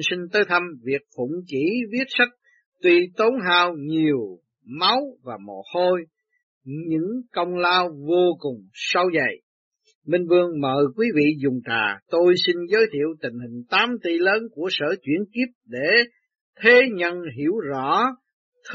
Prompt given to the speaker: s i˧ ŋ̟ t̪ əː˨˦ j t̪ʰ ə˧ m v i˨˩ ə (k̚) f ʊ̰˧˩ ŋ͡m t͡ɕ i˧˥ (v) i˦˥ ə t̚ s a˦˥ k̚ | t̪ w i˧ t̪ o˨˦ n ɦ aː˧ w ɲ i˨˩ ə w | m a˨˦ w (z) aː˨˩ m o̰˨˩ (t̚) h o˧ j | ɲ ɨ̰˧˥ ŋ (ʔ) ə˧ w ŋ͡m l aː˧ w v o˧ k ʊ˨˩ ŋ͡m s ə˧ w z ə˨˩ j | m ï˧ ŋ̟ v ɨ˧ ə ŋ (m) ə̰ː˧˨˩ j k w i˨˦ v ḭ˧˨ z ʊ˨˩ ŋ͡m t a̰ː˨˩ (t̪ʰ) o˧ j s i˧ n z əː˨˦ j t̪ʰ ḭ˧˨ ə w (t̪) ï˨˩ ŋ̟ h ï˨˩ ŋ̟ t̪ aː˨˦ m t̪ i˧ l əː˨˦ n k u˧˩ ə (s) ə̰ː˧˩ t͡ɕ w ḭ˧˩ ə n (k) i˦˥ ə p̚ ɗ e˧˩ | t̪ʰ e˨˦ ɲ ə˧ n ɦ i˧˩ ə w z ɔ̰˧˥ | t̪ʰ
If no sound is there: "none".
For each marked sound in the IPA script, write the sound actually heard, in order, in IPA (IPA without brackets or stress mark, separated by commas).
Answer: k̚, v, v, t̚, k, m, t̪, t̪, s, k